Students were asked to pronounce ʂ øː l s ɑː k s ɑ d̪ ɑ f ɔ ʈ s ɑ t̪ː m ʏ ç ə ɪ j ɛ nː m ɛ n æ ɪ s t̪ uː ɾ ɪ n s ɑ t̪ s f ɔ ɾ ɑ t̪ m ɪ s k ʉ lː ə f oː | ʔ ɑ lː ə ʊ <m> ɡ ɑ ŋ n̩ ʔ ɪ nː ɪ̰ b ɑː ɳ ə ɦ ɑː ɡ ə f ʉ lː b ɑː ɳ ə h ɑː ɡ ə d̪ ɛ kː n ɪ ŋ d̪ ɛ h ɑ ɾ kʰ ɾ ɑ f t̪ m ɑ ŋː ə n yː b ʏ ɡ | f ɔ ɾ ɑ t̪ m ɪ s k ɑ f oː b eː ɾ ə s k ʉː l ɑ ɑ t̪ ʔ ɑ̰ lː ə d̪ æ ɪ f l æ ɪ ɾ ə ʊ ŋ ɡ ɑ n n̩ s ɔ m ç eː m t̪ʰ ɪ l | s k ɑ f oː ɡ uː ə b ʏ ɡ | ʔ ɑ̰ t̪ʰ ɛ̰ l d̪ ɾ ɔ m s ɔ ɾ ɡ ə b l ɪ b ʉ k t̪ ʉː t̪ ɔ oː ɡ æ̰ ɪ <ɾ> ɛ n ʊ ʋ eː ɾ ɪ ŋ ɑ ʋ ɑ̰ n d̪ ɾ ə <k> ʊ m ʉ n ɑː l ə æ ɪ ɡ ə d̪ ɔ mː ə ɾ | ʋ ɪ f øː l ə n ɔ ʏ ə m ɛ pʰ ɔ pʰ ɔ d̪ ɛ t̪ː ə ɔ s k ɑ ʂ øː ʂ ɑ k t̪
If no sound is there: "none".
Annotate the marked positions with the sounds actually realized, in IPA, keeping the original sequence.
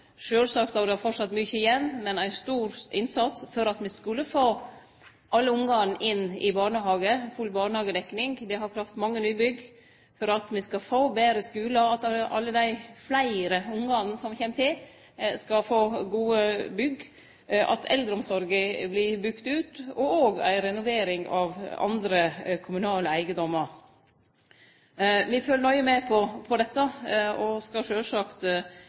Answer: ŋ, ɾ, kʰ

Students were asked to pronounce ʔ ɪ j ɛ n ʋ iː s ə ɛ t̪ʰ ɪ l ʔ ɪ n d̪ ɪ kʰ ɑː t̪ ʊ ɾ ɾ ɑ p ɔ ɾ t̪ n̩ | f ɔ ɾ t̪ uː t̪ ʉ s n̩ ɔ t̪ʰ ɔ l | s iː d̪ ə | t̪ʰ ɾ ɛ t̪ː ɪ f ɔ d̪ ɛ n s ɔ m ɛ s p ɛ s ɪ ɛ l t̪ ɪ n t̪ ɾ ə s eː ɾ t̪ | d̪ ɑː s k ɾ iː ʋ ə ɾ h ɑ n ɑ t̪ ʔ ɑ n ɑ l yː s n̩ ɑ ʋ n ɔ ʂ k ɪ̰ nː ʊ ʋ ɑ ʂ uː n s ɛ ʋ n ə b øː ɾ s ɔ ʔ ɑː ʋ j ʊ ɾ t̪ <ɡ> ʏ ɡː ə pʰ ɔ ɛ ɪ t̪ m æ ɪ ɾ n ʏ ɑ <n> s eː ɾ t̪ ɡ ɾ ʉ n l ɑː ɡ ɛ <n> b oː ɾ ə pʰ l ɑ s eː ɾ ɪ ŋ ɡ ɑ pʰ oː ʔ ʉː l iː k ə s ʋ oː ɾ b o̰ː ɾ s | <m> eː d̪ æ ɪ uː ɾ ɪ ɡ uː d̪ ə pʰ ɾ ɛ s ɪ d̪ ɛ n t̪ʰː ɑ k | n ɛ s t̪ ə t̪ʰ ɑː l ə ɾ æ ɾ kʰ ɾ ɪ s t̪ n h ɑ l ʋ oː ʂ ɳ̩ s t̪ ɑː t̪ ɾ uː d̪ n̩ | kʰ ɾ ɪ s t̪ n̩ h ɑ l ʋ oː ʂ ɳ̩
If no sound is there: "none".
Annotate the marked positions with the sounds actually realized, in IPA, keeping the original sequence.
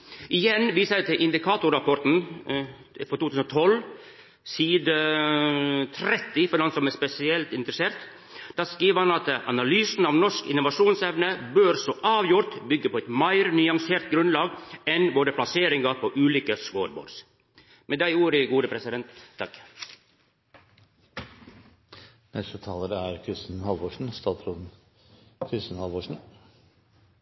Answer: b, ŋ, n, m

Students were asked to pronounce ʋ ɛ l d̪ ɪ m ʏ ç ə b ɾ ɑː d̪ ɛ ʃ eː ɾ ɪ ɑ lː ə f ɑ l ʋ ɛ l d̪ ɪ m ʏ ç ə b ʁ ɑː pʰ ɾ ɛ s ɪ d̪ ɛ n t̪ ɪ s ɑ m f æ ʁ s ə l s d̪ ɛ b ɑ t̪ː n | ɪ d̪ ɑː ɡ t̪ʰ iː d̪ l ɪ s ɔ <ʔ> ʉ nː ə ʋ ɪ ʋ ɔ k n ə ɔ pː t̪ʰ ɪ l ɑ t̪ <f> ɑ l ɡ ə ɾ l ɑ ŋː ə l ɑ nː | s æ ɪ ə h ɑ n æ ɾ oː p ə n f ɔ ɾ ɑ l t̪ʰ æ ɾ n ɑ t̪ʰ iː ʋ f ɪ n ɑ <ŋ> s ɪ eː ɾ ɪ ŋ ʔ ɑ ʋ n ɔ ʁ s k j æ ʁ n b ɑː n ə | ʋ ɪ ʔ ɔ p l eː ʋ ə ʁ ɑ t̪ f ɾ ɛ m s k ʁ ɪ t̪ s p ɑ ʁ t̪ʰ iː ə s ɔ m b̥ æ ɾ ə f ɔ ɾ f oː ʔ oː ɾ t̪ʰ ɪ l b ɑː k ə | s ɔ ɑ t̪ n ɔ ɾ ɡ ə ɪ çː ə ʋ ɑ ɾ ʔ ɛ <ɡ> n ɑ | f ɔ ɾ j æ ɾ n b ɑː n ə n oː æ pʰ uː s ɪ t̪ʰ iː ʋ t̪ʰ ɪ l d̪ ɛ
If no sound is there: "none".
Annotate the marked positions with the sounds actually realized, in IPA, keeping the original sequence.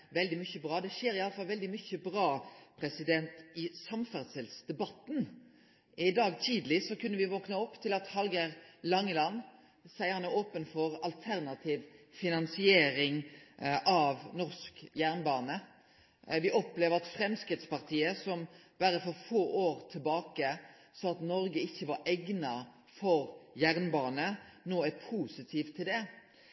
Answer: k, h, n, ɡ

